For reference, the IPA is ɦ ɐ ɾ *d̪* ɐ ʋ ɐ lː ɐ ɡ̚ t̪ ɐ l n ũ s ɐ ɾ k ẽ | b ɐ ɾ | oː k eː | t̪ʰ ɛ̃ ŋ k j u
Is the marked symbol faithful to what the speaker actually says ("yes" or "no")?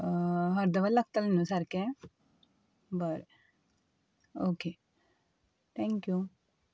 yes